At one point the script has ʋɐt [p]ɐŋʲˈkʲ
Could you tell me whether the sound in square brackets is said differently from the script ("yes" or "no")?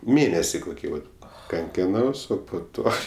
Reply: yes